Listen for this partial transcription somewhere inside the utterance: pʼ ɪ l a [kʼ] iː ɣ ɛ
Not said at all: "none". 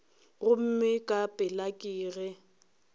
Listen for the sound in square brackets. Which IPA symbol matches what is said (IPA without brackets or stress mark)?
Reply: kʼ